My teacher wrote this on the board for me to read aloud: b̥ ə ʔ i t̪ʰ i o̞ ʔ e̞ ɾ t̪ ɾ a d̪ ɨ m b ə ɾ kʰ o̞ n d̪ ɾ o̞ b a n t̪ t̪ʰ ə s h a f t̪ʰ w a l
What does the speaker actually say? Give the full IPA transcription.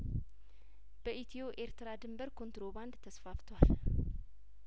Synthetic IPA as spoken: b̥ ə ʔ i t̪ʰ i o̞ ʔ e̞ ɾ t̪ ɾ a d̪ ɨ m b ə ɾ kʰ o̞ n t̪ ɾ o̞ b a n d̪ t̪ʰ ə s f a f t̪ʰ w a l